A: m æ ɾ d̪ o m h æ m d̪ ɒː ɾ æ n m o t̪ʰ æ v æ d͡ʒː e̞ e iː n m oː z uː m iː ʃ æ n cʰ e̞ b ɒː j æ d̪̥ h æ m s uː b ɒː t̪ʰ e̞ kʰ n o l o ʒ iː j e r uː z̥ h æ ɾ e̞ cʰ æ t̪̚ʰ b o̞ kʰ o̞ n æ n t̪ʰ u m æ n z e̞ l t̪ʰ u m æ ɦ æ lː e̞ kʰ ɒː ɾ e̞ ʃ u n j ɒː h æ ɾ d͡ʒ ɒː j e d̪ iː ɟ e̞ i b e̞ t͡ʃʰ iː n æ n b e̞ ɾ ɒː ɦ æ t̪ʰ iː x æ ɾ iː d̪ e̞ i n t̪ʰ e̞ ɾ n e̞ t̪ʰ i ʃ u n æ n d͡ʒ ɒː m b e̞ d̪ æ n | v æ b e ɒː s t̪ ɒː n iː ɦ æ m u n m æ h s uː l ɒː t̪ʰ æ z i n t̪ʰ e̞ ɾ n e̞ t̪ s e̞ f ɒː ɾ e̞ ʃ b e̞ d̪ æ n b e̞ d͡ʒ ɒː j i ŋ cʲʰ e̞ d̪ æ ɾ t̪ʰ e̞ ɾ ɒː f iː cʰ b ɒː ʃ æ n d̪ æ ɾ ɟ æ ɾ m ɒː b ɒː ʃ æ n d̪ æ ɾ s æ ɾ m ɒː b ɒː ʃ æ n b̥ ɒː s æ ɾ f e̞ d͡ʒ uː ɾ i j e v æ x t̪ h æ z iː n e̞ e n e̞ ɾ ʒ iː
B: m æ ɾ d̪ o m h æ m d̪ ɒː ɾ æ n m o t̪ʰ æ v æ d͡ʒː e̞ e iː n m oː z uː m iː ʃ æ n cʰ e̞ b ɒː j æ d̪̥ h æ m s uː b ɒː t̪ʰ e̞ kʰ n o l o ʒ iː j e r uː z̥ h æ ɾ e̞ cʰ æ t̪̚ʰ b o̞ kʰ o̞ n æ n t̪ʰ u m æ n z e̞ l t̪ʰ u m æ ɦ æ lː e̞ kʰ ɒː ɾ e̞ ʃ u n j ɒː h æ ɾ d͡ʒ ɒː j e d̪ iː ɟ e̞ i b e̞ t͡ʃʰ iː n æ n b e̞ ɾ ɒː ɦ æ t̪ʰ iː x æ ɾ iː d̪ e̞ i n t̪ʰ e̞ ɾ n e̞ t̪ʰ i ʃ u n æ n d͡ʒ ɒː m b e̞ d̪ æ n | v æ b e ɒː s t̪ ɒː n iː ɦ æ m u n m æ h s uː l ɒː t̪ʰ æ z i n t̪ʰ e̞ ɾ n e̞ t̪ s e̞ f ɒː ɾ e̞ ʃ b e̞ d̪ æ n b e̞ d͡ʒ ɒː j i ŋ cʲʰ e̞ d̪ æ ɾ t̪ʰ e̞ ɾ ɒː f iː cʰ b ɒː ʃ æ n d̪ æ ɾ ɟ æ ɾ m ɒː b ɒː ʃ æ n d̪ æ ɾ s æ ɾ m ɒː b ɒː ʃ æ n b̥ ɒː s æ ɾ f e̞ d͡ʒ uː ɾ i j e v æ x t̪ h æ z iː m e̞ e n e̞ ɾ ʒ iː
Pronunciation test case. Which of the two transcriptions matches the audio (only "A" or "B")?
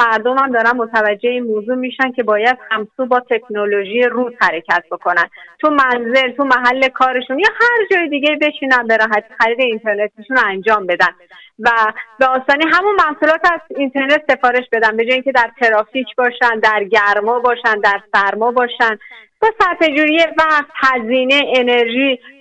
A